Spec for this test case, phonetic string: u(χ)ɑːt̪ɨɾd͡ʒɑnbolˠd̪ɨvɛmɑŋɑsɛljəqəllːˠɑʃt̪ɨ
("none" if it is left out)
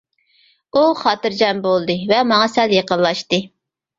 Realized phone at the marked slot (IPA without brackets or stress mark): χ